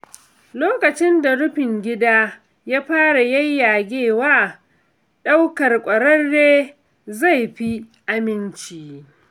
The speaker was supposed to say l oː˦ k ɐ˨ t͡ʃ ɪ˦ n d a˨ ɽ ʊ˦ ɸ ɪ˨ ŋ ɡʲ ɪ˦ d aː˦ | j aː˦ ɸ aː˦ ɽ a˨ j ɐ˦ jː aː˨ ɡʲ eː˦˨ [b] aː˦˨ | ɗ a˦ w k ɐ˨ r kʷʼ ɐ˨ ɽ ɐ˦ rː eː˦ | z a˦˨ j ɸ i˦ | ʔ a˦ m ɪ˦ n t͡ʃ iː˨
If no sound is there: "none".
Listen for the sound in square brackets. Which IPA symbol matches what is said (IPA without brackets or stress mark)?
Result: w